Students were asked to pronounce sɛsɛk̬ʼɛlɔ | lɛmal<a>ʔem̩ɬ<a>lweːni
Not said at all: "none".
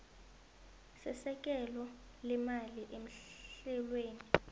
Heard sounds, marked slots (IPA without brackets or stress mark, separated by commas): i, ɛ